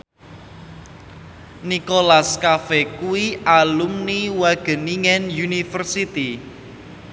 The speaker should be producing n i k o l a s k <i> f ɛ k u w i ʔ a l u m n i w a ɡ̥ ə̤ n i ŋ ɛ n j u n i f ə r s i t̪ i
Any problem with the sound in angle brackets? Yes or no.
yes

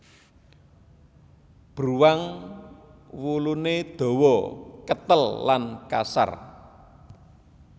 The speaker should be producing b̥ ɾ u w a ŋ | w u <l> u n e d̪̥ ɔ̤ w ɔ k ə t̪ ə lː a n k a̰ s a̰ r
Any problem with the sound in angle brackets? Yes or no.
no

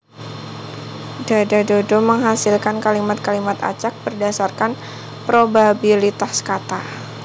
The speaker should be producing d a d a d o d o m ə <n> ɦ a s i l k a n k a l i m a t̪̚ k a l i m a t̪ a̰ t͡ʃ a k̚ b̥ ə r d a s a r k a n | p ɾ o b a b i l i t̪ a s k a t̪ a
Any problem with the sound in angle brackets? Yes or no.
yes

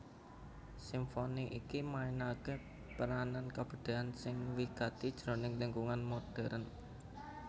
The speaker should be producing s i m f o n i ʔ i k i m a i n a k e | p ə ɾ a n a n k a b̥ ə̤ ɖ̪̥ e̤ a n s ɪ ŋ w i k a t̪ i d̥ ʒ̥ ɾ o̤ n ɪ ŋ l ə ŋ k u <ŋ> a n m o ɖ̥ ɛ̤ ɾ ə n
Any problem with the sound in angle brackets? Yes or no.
no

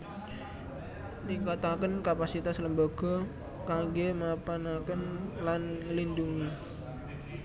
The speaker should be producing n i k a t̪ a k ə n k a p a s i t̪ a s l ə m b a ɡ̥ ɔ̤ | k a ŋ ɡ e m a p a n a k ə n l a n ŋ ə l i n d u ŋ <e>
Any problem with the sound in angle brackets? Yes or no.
yes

